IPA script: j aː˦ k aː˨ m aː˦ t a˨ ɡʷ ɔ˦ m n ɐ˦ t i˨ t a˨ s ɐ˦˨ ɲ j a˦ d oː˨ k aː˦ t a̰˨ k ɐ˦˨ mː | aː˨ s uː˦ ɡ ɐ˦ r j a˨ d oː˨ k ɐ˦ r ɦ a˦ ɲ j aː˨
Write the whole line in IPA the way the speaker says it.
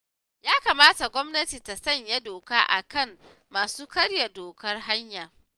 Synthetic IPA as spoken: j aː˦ k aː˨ m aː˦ t a˨ ɡʷ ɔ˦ m n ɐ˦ t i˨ t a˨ s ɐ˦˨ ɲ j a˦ d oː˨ k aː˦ ʔ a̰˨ k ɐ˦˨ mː | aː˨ s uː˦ k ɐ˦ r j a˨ d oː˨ k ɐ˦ r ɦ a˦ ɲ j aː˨